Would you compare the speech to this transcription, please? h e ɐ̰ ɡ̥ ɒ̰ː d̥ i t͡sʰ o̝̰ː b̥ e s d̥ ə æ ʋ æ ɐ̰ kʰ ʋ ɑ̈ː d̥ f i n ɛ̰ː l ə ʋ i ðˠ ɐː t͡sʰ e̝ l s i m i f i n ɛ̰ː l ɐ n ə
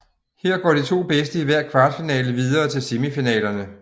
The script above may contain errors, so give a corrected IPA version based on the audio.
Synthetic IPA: h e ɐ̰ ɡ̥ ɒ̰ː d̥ i t͡sʰ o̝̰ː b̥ e s d̥ ə i ʋ æ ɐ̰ kʰ ʋ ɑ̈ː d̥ f i n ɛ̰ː l ə ʋ i ðˠ ɐː t͡sʰ e̝ l s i m i f i n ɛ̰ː l ɐ n ə

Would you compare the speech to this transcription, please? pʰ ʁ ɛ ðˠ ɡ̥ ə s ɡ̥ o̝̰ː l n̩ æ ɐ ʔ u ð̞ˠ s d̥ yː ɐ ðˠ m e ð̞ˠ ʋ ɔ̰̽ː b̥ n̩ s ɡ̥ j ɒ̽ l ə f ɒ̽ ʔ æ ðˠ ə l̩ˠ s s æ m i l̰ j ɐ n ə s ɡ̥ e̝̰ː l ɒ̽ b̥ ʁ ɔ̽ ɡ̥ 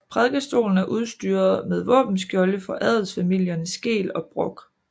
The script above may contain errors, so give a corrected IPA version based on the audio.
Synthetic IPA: pʰ ʁ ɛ ðˠ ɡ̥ ə s d̥ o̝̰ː l n̩ æ ɐ ʔ u ð̞ˠ s d̥ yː ɐ ðˠ m e ð̞ˠ ʋ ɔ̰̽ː b̥ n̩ s ɡ̥ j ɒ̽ l ə f ɒ̽ ʔ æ ðˠ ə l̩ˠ s f æ m i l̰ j ɐ n ə s ɡ̥ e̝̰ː l ɒ̽ b̥ ʁ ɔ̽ ɡ̥

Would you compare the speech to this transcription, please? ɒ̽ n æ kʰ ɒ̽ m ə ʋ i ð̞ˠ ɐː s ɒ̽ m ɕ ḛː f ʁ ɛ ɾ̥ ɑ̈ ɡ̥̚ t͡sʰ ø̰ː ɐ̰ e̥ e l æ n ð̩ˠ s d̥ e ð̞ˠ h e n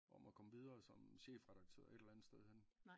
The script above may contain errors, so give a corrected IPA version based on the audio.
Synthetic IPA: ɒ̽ m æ kʰ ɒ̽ m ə ʋ i ð̞ˠ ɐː s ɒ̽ m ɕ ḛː f ʁ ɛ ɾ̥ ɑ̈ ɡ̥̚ t͡sʰ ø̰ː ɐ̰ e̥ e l æ n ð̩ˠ s d̥ e ð̞ˠ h e n

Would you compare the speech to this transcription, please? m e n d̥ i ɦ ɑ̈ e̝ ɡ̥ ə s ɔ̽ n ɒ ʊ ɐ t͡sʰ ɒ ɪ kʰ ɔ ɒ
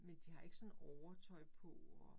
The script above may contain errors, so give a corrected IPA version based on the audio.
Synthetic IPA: m e n d̥ i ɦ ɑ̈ e̝ ɡ̥ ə s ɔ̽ n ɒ ʊ ɐ t͡sʰ ɒ ɪ pʰ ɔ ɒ

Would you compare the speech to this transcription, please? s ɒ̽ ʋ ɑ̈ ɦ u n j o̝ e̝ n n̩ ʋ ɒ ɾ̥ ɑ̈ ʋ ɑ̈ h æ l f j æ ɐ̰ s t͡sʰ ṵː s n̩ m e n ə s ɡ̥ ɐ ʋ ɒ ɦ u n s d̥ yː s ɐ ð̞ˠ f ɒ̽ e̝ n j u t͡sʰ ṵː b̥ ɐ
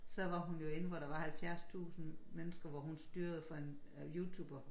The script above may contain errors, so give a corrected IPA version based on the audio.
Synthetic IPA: s ɒ̽ ʋ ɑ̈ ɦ u n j o̝ e̝ n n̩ ʋ ɒ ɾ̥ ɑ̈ ʋ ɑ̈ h æ l f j æ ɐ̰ s t͡sʰ ṵː s n̩ m e n ə s ɡ̥ ɐ ʋ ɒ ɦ u n s d̥ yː ɐ ð̞ˠ f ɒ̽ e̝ n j u t͡sʰ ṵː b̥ ɐ

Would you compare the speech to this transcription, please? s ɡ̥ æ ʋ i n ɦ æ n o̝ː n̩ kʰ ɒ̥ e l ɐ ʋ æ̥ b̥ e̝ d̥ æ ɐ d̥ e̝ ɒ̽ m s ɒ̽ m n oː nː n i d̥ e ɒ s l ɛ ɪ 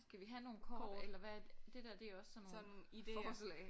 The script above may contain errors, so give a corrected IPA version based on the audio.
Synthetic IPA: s ɡ̥ æ ʋ i ɦ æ n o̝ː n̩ kʰ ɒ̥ e l ɐ ʋ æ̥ d̥ e̝ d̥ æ ɐ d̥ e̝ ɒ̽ s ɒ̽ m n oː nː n i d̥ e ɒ s l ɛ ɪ

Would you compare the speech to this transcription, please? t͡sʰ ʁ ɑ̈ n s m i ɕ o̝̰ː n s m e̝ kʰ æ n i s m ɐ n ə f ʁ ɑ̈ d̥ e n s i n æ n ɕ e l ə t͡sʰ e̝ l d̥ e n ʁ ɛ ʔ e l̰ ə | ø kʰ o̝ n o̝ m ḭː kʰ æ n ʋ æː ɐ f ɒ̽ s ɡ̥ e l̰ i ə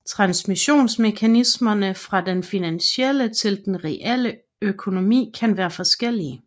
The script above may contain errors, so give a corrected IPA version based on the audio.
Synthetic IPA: t͡sʰ ʁ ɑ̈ n s m i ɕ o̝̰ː n s m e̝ kʰ æ n i s m ɐ n ə f ʁ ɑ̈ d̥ e n f i n æ n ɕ e l ə t͡sʰ e̝ l d̥ e n ʁ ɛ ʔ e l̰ ə | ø kʰ o̝ n o̝ m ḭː kʰ æ n ʋ æː ɐ f ɒ̽ s ɡ̥ e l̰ i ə

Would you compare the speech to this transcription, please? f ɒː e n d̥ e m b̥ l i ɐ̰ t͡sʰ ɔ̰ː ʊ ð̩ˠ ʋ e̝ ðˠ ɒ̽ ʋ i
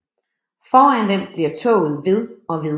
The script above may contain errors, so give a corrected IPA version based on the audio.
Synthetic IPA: f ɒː æ n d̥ e m b̥ l i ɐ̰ t͡sʰ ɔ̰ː ʊ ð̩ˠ ʋ e̝ ðˠ ɒ̽ ʋ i

